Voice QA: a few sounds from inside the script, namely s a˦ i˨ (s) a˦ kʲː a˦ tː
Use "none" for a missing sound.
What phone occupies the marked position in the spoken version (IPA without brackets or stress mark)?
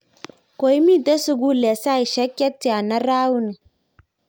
ʃ